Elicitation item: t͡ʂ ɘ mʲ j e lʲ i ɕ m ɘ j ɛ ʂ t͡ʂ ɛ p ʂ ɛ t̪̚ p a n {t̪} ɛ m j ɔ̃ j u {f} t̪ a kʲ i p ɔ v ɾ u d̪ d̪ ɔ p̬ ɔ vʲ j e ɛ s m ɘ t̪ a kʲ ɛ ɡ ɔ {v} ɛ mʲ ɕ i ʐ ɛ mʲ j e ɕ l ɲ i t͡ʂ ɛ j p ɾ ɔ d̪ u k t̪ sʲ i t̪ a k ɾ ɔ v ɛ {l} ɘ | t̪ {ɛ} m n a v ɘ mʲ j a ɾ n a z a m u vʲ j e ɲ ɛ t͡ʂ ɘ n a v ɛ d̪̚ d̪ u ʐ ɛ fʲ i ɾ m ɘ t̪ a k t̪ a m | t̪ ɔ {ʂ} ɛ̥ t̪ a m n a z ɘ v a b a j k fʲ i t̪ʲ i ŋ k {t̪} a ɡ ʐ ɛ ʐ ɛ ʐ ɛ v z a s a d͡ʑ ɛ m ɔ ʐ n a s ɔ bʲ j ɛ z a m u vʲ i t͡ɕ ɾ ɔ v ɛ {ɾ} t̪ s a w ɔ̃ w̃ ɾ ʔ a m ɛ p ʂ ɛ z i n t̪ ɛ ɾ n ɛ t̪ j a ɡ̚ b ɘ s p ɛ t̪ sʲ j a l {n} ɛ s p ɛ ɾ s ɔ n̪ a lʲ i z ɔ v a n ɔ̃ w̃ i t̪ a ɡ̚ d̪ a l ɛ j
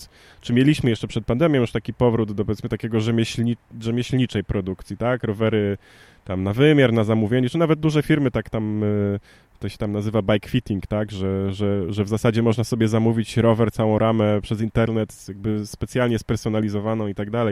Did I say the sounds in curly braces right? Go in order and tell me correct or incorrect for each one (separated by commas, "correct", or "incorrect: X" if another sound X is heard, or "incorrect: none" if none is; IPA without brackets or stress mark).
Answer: incorrect: d̪, incorrect: ʂ, incorrect: ʐ, incorrect: ɾ, incorrect: a, incorrect: ɕ, correct, correct, incorrect: ɲ